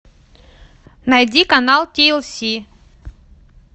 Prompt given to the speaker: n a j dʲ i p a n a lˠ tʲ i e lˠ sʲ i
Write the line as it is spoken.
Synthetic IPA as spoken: n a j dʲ i k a n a lˠ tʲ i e lˠ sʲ i